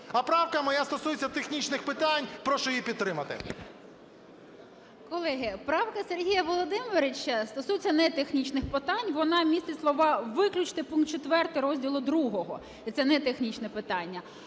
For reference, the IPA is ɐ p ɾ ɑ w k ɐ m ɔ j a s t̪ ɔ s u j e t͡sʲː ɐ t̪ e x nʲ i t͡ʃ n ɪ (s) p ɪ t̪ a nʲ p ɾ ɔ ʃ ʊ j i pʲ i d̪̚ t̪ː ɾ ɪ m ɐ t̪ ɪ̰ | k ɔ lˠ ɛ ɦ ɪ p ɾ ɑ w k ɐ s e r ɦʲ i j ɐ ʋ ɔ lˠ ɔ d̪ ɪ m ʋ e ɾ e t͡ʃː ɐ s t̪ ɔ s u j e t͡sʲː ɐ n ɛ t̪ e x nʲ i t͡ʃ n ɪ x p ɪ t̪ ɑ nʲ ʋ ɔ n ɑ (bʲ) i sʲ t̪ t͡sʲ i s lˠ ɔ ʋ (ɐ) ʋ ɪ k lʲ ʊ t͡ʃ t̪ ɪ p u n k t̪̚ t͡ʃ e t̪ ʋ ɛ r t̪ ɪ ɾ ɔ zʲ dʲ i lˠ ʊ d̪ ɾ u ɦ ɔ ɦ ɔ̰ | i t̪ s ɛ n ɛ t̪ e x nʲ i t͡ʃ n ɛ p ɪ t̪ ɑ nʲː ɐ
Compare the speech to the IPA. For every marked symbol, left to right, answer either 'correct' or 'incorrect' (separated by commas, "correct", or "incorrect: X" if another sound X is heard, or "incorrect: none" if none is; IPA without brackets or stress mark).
incorrect: x, incorrect: mʲ, incorrect: ɑ